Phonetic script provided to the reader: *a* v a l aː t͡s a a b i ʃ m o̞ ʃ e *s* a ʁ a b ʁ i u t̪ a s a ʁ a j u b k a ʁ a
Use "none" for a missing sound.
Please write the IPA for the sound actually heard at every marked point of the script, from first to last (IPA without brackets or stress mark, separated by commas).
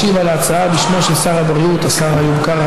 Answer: i, s